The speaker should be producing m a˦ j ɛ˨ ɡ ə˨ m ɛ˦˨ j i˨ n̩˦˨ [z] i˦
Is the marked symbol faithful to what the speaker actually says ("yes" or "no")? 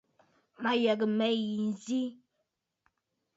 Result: yes